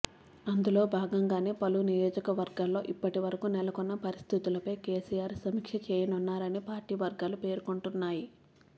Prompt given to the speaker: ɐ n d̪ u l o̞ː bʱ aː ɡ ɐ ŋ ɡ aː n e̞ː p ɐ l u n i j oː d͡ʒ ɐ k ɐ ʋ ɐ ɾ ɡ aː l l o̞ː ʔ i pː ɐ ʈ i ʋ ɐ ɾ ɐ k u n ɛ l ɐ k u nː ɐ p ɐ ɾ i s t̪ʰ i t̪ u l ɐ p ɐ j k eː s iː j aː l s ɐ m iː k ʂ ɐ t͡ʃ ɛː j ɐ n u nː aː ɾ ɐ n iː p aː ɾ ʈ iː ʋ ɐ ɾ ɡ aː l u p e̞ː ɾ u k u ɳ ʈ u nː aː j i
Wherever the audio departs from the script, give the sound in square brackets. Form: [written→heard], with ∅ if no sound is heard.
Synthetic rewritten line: ɐ n d̪ u l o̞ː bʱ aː ɡ ɐ ŋ ɡ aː n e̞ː p ɐ l u n i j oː d͡ʒ ɐ k ɐ ʋ ɐ ɾ ɡ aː l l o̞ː ʔ i pː ɐ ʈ i ʋ ɐ ɾ ɐ k u n ɛ l ɐ k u nː ɐ p ɐ ɾ i s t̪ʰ i t̪ u l ɐ p ɐ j k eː s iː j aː [l→ɾ] s ɐ m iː k ʂ ɐ t͡ʃ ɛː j ɐ n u nː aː ɾ ɐ n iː p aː ɾ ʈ iː ʋ ɐ ɾ ɡ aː l u p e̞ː ɾ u k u ɳ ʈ u nː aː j i